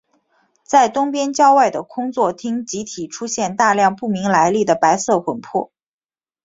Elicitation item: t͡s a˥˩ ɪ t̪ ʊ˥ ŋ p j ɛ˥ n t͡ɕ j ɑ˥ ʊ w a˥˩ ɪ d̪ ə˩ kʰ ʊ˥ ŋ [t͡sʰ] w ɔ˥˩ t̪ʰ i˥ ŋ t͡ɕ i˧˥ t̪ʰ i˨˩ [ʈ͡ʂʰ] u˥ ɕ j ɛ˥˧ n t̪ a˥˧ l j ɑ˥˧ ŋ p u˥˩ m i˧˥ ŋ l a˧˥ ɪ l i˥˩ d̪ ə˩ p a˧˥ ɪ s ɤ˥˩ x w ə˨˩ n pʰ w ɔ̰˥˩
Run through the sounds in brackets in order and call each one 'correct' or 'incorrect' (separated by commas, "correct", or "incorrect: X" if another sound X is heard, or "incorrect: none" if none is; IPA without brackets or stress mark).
incorrect: t͡s, correct